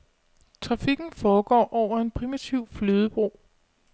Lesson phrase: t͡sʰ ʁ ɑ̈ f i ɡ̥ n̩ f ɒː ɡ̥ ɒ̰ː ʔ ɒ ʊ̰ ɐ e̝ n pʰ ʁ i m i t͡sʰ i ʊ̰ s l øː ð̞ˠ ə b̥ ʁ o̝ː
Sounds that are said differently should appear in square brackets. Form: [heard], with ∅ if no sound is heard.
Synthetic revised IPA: t͡sʰ ʁ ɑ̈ f i ɡ̥ n̩ f ɒː ɡ̥ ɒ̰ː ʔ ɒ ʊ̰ ɐ e̝ n pʰ ʁ i m i t͡sʰ i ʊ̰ [f] l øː ð̞ˠ ə b̥ ʁ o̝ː